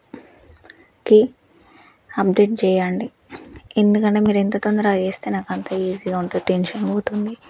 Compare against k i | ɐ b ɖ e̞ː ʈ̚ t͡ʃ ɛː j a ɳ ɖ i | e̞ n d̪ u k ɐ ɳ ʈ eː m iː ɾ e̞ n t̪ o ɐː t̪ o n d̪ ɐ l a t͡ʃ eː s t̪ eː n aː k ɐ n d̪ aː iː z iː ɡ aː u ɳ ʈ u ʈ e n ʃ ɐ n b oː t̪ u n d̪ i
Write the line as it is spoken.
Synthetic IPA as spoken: k i | ɐ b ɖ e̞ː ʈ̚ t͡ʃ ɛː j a ɳ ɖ i | e̞ n d̪ u k ɐ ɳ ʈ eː m iː ɾ e̞ n t̪ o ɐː t̪ o n d̪ ɐ ɾ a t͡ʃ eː s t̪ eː n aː k ɐ n t̪ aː iː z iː ɡ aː u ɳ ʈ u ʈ e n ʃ ɐ n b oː t̪ u n d̪ i

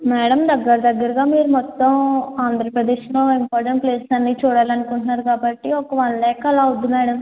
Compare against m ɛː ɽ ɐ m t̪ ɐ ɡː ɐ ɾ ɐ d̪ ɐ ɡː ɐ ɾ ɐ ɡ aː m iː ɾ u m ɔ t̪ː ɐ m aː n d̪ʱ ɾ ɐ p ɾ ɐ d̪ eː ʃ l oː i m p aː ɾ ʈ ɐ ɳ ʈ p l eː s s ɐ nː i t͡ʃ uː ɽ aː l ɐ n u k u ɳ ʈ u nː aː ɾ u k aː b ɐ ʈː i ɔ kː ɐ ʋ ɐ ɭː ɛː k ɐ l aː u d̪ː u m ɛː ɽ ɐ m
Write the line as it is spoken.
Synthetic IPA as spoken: m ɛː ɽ ɐ m d̪ ɐ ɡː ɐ ɾ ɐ d̪ ɐ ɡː ɐ ɾ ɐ ɡ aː m iː ɾ u m ɔ t̪ː ɐ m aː n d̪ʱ ɾ ɐ p ɾ ɐ d̪ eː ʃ l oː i m p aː ɾ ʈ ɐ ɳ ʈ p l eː s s ɐ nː i t͡ʃ uː ɽ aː l ɐ n u k u ɳ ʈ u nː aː ɾ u k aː b ɐ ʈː i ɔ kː ɐ ʋ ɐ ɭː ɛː k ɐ l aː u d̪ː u m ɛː ɽ ɐ m

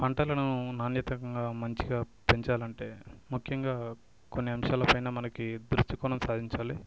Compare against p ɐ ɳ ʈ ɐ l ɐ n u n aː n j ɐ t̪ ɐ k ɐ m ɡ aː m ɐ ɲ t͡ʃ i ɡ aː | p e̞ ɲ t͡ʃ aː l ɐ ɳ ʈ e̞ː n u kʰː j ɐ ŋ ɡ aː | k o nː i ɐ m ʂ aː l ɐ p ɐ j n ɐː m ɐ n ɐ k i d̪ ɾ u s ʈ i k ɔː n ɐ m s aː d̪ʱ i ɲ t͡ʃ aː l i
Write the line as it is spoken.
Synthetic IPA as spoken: p ɐ ɳ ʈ ɐ l ɐ n u n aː n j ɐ t̪ ɐ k ɐ ŋ ɡ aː m ɐ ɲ t͡ʃ i ɡ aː | p e̞ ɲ t͡ʃ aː l ɐ ɳ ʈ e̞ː m u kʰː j ɐ ŋ ɡ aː | k o nː i ɐ m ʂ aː l ɐ p ɐ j n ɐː m ɐ n ɐ k i d̪ ɾ u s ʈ i k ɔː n ɐ m s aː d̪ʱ i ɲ t͡ʃ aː l i

